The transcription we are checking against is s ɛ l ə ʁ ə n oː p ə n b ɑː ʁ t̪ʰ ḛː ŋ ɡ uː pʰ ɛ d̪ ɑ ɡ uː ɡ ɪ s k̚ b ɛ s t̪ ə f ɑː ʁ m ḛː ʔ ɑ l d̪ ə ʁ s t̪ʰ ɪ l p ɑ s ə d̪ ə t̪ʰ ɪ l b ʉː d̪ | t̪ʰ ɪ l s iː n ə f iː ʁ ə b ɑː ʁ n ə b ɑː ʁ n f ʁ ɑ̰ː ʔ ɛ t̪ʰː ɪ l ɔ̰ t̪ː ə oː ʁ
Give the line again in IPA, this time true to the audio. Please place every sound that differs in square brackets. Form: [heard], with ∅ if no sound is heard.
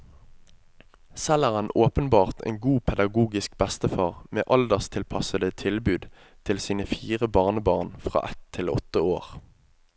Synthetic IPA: s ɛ l ə ʁ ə n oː p ə n b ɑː ʁ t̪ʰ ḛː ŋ ɡ uː pʰ ɛ d̪ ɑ ɡ uː ɡ ɪ s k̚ b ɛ s t̪ ə f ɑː ʁ m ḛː ʔ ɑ l d̪ ə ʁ s t̪ʰ ɪ l [pʰ] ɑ s ə d̪ ə t̪ʰ ɪ l b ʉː d̪ | t̪ʰ ɪ l s iː n ə f iː ʁ ə b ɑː ʁ n ə b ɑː ʁ n f ʁ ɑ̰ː ʔ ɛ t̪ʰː ɪ l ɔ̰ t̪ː ə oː ʁ